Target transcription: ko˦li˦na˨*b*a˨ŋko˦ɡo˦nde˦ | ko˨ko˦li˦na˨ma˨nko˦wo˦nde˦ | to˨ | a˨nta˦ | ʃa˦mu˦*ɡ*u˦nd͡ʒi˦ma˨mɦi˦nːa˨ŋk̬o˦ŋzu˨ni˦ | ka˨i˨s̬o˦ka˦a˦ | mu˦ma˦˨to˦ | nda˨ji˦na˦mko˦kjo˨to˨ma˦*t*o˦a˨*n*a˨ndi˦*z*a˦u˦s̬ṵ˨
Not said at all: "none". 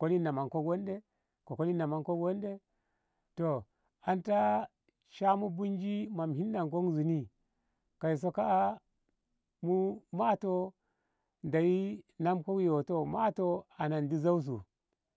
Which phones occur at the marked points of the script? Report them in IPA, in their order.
m, b, t, n, z

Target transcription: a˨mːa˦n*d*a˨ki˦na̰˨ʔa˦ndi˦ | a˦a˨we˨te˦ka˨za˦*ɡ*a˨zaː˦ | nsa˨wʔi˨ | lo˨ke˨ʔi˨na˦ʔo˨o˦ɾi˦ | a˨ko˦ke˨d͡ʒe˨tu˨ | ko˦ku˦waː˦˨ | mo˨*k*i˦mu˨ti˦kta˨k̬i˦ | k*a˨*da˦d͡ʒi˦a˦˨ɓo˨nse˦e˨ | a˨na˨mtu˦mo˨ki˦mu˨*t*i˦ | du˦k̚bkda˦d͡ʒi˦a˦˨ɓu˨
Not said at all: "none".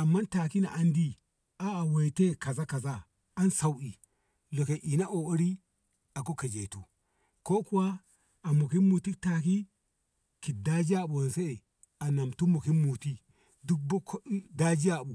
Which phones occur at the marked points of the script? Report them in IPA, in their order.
t, k, k, i˨, t

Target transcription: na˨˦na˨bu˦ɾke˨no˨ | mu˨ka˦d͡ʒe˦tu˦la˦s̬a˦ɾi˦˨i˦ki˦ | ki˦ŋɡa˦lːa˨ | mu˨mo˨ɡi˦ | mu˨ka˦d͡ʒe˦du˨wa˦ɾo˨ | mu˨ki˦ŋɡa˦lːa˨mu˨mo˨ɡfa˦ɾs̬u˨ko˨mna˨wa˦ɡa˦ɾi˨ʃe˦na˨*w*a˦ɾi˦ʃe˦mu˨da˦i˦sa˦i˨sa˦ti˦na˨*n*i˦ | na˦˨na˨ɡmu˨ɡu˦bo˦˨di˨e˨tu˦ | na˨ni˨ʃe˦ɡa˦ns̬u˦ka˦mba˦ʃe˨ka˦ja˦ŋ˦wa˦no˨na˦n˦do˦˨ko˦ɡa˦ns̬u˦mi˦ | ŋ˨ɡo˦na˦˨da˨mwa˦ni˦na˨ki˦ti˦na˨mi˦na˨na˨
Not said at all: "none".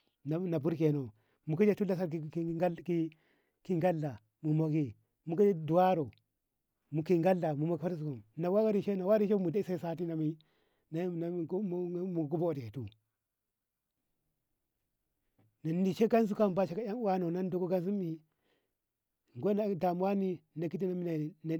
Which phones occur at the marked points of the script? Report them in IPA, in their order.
w, m

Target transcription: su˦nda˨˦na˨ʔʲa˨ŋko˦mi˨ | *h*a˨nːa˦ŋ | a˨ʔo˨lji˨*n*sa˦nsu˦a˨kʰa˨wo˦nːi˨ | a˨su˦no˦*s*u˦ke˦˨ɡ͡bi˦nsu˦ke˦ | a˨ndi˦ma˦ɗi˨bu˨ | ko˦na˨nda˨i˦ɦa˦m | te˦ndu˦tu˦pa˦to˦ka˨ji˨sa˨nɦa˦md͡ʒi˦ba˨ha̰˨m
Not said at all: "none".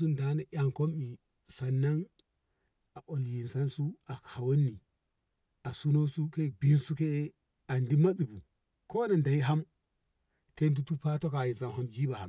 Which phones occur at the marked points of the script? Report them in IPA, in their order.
s, n, s

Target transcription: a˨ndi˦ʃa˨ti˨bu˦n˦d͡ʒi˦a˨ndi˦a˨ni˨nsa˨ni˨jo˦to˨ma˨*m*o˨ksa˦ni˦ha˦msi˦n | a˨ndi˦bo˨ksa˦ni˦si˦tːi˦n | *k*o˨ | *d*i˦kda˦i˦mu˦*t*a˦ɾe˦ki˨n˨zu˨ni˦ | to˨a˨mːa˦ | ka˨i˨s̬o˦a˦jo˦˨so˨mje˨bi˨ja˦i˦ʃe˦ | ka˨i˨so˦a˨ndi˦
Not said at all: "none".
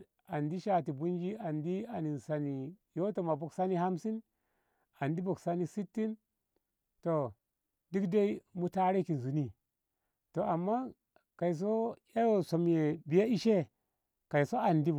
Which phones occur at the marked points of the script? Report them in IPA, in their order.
b, t, d, t

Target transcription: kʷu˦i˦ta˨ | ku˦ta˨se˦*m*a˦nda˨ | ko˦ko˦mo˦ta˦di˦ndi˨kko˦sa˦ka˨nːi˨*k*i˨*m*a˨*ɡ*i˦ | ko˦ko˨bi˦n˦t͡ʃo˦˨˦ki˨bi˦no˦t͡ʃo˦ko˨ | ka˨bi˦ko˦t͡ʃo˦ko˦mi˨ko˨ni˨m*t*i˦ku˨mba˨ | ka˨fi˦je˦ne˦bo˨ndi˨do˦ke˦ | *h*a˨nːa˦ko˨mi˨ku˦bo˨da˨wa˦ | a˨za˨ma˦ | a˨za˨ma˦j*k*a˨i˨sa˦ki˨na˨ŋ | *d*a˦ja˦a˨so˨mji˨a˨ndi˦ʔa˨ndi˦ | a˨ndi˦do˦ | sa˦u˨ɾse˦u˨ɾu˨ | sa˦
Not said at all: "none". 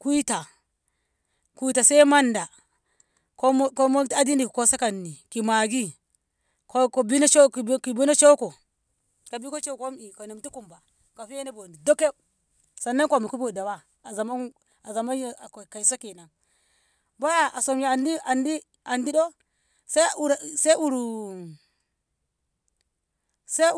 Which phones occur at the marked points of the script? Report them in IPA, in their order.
m, k, m, ɡ, t, s, k, b

